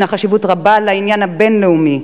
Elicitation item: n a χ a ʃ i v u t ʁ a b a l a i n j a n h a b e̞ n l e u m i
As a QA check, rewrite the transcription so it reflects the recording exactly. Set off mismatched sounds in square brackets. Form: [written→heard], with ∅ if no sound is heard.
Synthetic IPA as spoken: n a χ a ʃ i v u t ʁ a b a l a i n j a n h a b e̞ n l e u m i